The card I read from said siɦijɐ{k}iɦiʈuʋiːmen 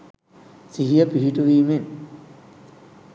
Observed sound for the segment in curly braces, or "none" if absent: p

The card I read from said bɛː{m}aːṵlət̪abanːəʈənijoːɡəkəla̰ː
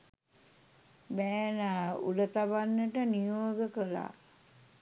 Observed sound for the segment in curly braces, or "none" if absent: n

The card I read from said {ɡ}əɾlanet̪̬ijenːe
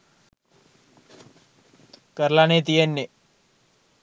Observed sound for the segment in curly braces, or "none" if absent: k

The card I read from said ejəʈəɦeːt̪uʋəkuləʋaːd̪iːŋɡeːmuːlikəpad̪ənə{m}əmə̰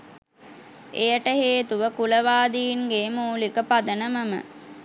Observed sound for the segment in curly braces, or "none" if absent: m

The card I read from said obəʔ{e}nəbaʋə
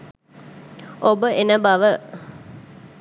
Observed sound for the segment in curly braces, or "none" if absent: e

